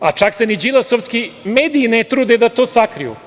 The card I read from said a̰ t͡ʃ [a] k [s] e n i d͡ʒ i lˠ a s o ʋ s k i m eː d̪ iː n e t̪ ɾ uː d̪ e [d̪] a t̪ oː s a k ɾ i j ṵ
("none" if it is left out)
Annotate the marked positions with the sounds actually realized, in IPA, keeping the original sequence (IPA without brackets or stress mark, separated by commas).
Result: a, s, d̪